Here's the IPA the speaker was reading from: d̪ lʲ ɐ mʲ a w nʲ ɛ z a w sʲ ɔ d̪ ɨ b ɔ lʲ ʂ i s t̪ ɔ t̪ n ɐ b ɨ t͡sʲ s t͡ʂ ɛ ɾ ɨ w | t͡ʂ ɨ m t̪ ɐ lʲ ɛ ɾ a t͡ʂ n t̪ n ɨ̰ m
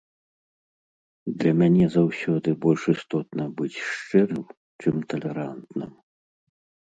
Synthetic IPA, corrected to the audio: d̪ lʲ ɐ mʲ a nʲ ɛ z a w sʲ ɔ d̪ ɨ b ɔ lʲ ʂ i s t̪ ɔ t̪ n ɐ b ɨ t͡sʲ ʂ t͡ʂ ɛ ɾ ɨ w | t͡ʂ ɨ m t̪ ɐ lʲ ɛ ɾ a n t̪ n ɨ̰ m